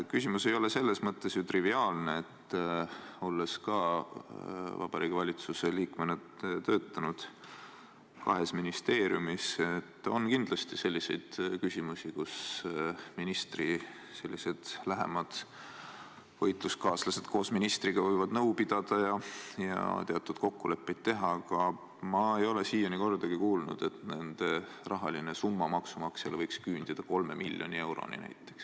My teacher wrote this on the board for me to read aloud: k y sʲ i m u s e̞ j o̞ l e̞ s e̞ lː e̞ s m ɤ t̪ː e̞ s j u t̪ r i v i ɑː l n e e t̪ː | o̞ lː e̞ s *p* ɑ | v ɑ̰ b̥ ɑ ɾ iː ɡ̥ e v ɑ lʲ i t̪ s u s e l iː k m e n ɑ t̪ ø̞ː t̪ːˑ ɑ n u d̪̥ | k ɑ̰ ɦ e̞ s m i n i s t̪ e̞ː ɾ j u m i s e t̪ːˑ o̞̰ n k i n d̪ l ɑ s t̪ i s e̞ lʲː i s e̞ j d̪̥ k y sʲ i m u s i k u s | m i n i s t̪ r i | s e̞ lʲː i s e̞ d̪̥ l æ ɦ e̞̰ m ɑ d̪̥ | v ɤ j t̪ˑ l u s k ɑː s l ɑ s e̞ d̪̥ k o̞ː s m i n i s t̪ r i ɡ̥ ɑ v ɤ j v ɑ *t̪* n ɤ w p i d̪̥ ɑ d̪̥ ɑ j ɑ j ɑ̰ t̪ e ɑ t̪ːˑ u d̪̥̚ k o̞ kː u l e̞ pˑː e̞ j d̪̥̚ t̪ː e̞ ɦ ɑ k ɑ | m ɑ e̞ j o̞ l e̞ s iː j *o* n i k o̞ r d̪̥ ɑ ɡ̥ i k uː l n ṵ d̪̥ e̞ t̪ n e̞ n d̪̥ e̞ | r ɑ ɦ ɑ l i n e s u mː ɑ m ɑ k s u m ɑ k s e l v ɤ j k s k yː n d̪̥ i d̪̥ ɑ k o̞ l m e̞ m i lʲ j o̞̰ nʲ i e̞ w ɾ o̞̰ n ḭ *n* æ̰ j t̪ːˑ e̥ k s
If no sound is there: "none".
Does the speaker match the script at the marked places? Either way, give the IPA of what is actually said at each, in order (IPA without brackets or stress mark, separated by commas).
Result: k, d̪, o, n